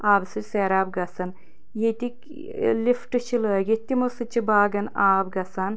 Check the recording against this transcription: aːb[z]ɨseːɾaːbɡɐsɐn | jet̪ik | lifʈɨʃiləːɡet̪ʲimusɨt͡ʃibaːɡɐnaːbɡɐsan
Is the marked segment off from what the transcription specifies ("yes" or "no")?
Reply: yes